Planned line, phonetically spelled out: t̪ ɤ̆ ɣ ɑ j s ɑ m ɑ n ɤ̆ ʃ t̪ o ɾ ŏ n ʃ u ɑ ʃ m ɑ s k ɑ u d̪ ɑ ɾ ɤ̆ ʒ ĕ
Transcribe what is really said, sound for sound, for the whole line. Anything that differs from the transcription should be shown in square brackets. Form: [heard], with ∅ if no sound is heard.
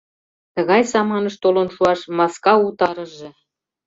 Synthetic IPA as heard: t̪ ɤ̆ ɣ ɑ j s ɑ m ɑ n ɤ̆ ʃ t̪ o [l] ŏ n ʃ u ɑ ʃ m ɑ s k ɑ u [t̪] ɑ ɾ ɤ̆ ʒ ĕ

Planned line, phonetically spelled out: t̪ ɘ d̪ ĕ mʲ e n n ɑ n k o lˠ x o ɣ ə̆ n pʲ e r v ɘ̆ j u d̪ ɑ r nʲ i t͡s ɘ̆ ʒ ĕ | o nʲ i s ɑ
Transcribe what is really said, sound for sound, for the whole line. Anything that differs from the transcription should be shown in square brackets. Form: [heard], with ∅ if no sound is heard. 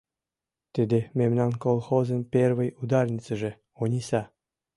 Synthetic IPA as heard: t̪ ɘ d̪ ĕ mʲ e [m] n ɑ n k o lˠ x o [z] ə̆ n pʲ e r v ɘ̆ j u d̪ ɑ r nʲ i t͡s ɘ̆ ʒ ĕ | o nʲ i s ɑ

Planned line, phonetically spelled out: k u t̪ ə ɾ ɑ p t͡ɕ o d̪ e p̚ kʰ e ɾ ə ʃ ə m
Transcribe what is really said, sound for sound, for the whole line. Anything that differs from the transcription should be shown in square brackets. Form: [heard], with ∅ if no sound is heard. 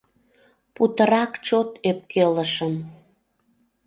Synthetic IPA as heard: [p] u t̪ ə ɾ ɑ [k] t͡ɕ o [t̪] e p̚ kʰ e [l] ə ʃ ə m

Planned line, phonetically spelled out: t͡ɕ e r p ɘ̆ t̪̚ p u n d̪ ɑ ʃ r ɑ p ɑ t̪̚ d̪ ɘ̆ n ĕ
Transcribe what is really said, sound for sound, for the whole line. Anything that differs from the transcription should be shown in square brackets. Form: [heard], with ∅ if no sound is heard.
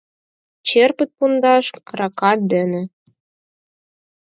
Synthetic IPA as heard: t͡ɕ e r p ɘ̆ t̪̚ p u n d̪ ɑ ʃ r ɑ [k] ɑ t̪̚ d̪ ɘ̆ n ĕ

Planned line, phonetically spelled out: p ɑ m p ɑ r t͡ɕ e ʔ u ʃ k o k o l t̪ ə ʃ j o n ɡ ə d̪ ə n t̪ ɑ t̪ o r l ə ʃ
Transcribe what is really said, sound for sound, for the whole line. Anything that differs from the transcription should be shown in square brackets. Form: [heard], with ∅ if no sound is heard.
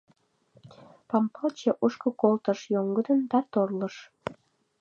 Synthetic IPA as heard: p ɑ m p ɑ [l] t͡ɕ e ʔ u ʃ k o k o l t̪ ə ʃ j o [ŋ] ɡ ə d̪ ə n [d̪] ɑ t̪ o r l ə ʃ

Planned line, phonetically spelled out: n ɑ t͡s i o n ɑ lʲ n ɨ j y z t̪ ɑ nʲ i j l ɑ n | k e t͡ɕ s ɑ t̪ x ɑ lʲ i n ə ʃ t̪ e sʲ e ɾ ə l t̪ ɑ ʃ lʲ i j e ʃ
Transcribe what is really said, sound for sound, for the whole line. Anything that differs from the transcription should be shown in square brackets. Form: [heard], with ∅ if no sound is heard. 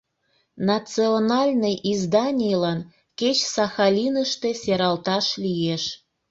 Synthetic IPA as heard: n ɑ t͡s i o n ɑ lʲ n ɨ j [i] z [d̪] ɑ nʲ i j l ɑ n | k e t͡ɕ s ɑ [∅] x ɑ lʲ i n ə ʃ t̪ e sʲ e ɾ [ɑ] l t̪ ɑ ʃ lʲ i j e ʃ

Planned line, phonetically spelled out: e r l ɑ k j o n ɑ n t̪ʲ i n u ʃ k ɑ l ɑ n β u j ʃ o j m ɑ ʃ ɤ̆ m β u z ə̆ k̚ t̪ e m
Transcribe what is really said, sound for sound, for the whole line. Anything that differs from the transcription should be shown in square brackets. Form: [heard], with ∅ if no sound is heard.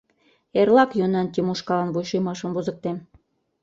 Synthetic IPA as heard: e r l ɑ k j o n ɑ n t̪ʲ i [m] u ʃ k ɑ l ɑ n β u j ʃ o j m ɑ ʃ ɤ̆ m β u z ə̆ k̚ t̪ e m

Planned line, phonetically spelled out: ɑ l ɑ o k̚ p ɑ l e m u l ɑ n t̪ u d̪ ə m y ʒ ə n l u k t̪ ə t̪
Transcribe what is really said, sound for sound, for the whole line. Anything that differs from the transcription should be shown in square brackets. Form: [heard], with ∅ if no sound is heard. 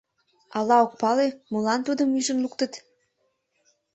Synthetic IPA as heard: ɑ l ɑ o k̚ p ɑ l e m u l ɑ n t̪ u d̪ ə m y ʒ ə n l u k t̪ ə t̪

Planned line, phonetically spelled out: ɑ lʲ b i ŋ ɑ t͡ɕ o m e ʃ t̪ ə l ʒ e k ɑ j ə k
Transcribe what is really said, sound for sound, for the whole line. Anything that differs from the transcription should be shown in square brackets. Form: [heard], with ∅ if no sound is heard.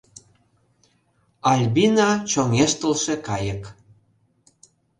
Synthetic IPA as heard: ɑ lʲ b i [n] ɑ t͡ɕ o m e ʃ t̪ ə l [ʃ] e k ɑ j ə k

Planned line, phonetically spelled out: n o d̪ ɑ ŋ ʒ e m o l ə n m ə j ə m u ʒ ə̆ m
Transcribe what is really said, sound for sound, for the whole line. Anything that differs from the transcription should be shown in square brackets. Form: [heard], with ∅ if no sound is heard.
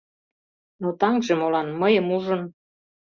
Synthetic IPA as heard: n o [t̪] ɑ ŋ ʒ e m o l [ɑ] n m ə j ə m u ʒ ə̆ [n]

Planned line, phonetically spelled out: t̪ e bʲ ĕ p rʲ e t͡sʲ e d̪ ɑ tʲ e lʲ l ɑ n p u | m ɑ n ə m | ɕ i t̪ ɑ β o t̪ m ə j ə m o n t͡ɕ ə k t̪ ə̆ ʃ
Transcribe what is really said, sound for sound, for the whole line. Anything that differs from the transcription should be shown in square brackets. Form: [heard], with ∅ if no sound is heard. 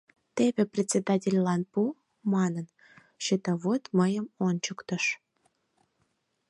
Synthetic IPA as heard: t̪ e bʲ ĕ p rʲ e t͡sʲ e d̪ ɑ tʲ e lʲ l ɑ n p u | m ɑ n ə [n] | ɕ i t̪ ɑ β o t̪ m ə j ə m o n t͡ɕ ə k t̪ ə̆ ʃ

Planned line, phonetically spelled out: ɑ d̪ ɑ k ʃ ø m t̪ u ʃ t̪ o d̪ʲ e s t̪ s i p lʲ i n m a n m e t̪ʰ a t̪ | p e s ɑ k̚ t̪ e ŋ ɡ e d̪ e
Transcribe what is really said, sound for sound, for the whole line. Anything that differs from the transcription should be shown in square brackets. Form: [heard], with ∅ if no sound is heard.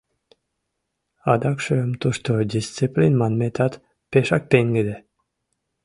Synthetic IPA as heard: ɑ d̪ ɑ k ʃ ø m t̪ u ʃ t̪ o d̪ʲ [i] s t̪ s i p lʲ i n m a n m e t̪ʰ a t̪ | p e [ʃ] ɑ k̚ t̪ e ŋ ɡ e d̪ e

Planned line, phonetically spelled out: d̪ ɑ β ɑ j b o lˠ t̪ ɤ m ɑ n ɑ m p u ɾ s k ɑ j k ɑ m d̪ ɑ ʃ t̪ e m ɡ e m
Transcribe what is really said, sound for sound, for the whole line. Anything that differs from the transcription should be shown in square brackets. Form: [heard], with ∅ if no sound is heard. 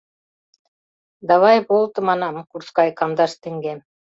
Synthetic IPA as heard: d̪ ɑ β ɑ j b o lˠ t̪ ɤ m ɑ n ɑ m [k] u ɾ s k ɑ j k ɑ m d̪ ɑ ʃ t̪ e [ŋ] ɡ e m

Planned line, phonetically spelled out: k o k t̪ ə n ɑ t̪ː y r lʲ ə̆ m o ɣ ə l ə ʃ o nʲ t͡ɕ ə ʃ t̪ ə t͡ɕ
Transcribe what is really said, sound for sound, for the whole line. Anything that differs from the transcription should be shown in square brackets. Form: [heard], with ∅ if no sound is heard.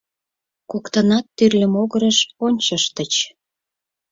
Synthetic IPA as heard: k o k t̪ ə n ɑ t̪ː y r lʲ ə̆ m o ɣ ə [ɾ] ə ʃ o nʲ t͡ɕ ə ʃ t̪ ə t͡ɕ

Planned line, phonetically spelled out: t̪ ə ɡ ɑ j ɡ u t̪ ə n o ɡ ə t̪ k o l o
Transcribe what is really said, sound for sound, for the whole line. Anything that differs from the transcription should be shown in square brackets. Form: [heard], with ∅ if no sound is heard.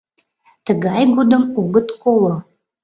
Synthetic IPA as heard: t̪ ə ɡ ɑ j ɡ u [d̪] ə [m] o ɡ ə t̪ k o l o

